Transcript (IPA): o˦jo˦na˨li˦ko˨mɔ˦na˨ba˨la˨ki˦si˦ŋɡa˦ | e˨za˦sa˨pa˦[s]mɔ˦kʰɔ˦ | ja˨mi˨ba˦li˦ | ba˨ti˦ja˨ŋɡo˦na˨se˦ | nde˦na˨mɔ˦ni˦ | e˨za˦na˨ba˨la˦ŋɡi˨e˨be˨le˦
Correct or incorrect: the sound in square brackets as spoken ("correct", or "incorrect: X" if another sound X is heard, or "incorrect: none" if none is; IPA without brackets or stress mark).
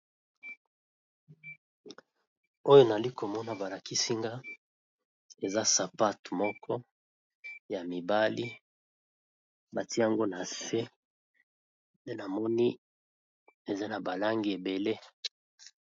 incorrect: t